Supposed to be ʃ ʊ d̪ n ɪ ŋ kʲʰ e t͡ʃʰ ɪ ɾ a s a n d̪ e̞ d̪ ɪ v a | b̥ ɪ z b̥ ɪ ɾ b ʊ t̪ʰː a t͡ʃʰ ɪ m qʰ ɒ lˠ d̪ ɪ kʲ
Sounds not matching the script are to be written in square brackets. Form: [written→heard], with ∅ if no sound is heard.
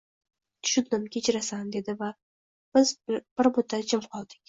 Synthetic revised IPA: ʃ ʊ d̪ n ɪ [ŋ→m] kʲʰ e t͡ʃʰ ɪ ɾ a s a n d̪ e̞ d̪ ɪ v a | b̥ ɪ z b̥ ɪ ɾ b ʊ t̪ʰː a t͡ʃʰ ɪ m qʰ ɒ lˠ d̪ ɪ kʲ